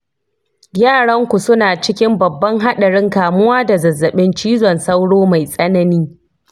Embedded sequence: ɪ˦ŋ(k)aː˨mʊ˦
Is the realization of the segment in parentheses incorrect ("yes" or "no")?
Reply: no